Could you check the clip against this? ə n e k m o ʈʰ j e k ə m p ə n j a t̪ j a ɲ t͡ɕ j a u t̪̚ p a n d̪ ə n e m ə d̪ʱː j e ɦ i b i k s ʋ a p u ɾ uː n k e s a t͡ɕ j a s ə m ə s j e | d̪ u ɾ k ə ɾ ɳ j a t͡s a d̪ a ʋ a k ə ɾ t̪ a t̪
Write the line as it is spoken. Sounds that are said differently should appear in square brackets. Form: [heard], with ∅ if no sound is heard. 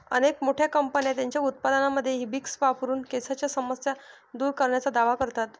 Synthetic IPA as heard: ə n e k m o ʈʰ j [a] k ə m p ə n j a t̪ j a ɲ t͡ɕ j a u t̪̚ p a [∅] d̪ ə n [a] m ə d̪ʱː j e ɦ i b i k s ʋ a p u ɾ uː n k e s a t͡ɕ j a s ə m ə s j [a] | d̪ [uː] ɾ k ə ɾ ɳ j a t͡s a d̪ a ʋ a k ə ɾ t̪ a t̪